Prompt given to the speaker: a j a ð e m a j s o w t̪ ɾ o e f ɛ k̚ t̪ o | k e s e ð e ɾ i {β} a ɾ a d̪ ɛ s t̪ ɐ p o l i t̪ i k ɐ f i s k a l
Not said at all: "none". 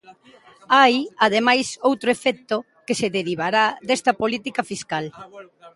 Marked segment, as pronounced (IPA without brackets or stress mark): β